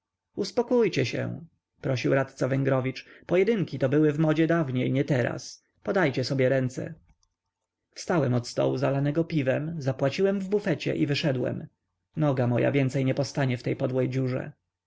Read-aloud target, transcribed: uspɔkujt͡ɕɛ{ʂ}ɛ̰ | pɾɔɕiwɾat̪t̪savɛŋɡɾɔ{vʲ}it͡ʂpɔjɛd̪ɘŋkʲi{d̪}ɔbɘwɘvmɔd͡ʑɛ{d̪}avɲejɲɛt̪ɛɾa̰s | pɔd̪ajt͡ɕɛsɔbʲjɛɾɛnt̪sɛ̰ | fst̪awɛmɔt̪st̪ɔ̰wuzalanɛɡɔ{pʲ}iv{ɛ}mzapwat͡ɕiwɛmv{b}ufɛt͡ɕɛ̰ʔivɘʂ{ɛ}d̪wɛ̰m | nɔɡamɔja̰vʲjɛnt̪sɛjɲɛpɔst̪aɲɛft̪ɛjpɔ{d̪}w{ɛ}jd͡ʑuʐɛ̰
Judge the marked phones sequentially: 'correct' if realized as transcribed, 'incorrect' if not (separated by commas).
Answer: incorrect, correct, incorrect, correct, correct, correct, correct, correct, correct, correct